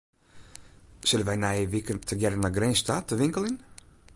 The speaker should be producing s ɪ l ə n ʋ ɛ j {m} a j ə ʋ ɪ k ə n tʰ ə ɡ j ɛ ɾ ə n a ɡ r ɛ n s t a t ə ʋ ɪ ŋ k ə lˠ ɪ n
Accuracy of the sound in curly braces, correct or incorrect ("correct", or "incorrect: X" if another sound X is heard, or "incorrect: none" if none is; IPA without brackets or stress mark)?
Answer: incorrect: n